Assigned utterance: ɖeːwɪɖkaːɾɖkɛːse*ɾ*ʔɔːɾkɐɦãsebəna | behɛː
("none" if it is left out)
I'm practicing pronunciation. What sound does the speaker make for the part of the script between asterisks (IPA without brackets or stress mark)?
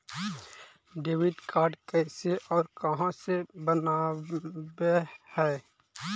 none